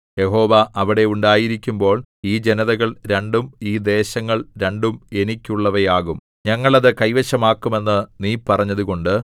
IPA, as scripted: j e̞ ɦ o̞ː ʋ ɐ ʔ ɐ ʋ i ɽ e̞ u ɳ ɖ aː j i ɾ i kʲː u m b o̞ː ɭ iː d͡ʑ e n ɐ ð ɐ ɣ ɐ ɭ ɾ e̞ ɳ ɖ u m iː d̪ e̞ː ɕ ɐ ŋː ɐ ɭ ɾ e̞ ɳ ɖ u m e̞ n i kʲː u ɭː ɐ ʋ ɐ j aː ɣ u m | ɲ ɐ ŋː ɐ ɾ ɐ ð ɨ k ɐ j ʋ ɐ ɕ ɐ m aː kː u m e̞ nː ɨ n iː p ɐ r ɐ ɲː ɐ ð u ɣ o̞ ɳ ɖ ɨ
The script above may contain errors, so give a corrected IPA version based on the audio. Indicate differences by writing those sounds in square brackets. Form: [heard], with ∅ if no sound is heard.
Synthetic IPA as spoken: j e̞ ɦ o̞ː ʋ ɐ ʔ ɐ ʋ i ɽ e̞ u ɳ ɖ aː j i ɾ i kʲː u m b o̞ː ɭ iː d͡ʑ e n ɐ ð ɐ ɣ ɐ ɭ ɾ e̞ ɳ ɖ u m iː d̪ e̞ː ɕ ɐ ŋː ɐ ɭ ɾ e̞ ɳ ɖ u m e̞ n i kʲː u ɭː ɐ ʋ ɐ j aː ɣ u m | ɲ ɐ ŋː ɐ [ɭ] ɐ ð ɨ k ɐ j ʋ ɐ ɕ ɐ m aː kː u m e̞ nː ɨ n iː p ɐ r ɐ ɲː ɐ ð u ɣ o̞ ɳ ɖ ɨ